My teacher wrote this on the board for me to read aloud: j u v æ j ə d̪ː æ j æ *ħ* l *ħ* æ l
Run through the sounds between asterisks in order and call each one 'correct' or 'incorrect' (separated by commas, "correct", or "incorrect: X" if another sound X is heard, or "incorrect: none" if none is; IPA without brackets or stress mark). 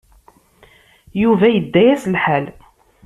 incorrect: s, correct